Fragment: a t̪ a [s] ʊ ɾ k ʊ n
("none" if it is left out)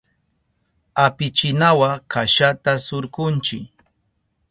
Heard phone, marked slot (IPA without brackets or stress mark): s